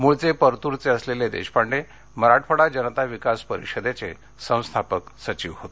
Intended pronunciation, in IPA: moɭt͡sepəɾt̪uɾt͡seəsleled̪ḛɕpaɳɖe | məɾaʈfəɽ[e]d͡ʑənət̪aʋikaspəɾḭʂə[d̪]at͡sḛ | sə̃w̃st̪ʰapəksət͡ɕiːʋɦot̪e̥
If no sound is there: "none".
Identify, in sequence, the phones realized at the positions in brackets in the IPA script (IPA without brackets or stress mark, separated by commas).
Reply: a, d̪